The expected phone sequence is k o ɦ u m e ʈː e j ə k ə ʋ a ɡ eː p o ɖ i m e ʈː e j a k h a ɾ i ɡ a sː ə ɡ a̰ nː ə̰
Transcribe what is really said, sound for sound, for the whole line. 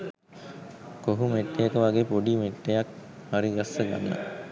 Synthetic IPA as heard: k o ɦ u m e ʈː e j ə k ə ʋ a ɡ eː p o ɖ i m e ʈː e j a k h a ɾ i ɡ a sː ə ɡ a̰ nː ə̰